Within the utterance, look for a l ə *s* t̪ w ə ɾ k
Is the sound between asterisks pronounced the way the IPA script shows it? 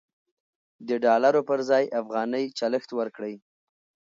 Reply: no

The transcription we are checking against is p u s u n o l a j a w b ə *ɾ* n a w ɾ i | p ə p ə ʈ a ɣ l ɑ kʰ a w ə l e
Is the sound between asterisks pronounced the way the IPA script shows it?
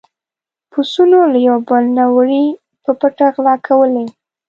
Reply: no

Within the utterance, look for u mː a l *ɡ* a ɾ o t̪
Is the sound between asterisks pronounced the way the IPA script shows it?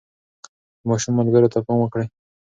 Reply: yes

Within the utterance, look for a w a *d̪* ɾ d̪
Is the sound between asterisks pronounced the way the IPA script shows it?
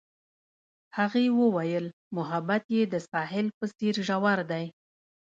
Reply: no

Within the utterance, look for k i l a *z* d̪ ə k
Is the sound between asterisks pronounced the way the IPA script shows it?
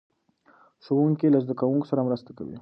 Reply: yes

